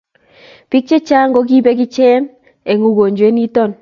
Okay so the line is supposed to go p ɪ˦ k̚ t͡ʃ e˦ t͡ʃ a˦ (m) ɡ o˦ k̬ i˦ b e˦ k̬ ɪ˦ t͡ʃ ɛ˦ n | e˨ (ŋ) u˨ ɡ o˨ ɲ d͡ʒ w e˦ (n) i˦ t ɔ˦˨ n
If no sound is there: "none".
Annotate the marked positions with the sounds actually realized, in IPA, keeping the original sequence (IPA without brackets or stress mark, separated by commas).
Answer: ŋ, ŋ, n